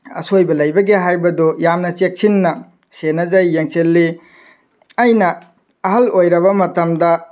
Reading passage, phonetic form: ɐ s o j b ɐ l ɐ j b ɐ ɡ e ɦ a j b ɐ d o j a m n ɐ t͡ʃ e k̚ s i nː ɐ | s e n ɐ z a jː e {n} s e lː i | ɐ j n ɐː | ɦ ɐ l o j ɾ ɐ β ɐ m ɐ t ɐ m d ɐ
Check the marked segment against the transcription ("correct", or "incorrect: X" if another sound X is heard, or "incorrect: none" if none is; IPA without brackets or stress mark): incorrect: ŋ